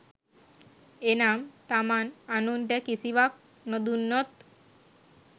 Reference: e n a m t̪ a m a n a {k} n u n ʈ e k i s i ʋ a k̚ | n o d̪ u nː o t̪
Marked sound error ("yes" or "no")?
yes